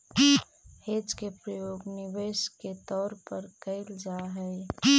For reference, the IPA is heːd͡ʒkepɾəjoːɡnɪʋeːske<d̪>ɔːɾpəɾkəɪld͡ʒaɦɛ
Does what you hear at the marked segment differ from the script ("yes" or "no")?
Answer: yes